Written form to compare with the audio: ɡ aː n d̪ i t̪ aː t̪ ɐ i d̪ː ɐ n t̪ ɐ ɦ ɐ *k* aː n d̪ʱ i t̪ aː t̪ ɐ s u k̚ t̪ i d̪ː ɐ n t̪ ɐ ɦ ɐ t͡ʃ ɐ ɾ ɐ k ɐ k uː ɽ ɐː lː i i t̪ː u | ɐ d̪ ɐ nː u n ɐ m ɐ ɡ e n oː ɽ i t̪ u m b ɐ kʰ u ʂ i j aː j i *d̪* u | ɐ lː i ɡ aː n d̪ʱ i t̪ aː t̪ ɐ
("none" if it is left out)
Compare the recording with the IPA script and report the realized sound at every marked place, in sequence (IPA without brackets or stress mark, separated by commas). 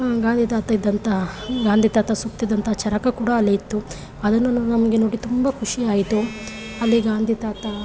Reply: ɡ, t̪